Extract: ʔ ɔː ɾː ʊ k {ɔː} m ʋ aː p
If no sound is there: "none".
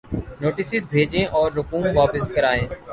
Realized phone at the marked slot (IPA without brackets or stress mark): uː